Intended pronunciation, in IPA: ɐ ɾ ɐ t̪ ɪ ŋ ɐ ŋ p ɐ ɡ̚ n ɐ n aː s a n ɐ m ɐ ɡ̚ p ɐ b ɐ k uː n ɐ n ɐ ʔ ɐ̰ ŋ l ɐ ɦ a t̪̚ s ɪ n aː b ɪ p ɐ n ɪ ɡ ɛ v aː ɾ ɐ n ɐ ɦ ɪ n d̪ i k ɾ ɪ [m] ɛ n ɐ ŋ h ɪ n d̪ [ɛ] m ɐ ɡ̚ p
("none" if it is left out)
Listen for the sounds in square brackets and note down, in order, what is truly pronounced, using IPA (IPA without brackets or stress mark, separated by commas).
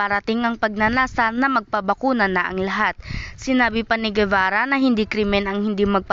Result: m, i